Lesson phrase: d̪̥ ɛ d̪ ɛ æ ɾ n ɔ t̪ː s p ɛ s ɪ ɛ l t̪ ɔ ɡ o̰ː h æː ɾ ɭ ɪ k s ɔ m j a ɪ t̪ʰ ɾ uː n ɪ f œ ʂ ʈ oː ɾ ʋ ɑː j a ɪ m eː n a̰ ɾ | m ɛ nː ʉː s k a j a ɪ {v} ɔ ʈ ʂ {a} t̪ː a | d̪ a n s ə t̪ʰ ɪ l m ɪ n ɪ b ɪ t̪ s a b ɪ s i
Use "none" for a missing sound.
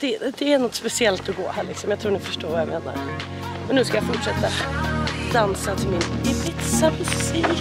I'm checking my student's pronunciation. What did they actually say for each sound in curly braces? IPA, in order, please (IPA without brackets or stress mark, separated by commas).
f, ɛ